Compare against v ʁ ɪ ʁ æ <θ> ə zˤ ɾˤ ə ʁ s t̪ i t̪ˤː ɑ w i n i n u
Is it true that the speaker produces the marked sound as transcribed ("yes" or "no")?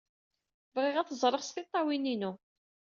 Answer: yes